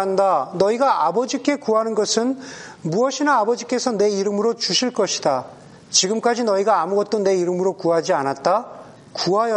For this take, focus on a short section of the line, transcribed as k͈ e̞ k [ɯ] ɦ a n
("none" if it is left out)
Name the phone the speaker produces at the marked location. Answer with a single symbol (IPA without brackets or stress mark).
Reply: u